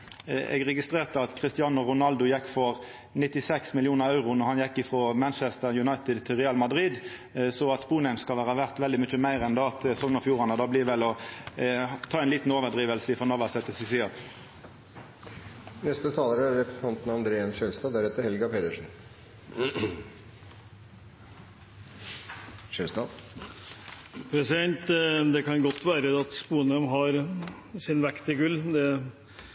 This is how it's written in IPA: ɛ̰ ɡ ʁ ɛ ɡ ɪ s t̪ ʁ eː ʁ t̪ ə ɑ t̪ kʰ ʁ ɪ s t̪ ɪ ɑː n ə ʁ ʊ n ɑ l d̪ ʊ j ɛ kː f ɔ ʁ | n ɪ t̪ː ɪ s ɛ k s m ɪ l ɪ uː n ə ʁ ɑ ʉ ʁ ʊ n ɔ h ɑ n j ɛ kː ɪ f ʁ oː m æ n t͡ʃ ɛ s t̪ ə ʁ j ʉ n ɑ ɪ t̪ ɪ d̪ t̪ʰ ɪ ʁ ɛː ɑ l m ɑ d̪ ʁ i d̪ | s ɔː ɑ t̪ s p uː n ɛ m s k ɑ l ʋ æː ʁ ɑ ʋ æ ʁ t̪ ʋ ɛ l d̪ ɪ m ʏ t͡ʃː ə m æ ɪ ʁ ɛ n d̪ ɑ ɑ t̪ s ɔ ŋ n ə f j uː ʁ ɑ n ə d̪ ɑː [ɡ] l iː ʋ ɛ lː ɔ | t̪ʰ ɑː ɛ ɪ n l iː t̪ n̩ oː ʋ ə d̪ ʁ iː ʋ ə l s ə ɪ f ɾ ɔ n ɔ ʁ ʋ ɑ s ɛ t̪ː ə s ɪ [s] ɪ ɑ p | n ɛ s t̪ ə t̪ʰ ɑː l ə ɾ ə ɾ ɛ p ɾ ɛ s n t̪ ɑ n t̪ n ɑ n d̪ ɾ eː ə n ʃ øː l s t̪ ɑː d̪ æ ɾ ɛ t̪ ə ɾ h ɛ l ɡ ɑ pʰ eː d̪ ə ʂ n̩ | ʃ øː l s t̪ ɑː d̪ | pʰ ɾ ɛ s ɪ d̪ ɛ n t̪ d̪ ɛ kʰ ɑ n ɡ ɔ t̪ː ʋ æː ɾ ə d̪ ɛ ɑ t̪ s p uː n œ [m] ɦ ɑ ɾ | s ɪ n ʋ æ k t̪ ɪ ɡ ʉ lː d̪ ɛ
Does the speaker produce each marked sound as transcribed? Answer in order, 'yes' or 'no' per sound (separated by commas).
no, yes, yes